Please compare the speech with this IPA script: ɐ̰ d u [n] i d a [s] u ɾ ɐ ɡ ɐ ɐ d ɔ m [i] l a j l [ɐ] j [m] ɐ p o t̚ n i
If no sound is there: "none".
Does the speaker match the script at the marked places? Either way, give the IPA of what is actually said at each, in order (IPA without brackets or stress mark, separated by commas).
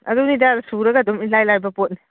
n, s, i, a, b